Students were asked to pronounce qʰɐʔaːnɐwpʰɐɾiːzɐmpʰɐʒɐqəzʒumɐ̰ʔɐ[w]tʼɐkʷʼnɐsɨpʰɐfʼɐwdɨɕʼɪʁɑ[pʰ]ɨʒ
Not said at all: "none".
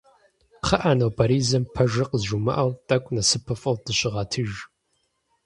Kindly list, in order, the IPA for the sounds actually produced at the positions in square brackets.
w, tʰ

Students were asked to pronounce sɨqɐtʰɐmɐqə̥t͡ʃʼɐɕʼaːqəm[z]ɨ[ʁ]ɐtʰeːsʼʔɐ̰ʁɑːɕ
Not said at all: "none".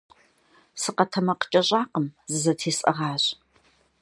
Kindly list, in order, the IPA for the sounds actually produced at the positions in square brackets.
z, z

